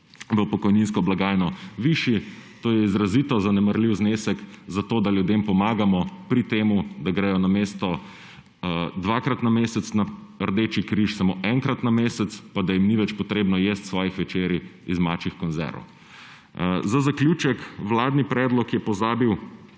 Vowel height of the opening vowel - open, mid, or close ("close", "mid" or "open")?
mid